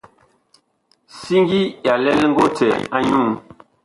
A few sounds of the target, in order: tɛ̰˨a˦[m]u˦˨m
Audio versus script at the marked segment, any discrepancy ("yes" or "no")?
yes